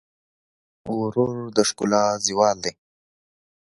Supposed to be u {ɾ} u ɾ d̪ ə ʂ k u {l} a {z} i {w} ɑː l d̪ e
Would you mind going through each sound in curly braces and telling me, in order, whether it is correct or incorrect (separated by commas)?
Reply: correct, correct, correct, correct